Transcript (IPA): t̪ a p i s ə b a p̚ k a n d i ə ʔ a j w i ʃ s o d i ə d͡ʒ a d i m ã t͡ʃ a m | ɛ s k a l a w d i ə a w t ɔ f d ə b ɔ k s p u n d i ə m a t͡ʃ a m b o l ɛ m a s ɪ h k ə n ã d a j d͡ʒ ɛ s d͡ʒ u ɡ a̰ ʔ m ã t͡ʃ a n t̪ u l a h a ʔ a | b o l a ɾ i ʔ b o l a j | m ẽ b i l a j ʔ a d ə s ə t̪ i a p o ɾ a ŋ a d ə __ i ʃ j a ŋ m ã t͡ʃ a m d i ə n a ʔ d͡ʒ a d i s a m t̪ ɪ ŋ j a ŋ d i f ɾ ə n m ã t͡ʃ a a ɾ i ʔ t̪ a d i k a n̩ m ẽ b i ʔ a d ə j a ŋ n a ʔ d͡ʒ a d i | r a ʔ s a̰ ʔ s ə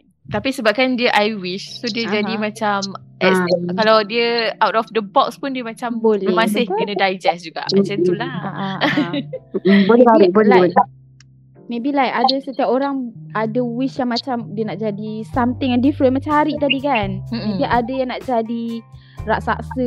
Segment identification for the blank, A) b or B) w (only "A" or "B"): B